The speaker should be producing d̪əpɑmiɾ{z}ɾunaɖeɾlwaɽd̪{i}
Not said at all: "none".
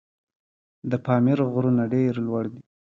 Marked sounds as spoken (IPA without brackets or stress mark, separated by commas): ɣ, i